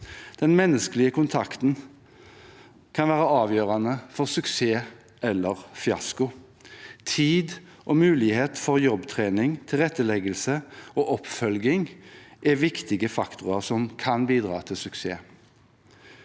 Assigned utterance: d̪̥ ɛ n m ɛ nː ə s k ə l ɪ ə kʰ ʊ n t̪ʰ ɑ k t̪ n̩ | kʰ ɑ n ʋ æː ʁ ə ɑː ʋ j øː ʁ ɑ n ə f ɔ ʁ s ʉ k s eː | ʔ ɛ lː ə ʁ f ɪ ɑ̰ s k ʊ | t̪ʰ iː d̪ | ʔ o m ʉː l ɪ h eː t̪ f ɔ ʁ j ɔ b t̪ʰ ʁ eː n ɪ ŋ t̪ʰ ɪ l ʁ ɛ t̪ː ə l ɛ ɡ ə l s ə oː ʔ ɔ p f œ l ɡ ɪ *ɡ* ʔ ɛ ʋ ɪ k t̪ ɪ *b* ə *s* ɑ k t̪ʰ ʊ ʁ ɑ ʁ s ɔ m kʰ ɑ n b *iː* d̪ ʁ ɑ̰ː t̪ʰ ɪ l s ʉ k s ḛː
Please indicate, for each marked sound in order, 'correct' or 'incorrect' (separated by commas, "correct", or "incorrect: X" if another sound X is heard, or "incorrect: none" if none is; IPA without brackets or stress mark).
incorrect: ŋ, incorrect: ɡ, incorrect: f, correct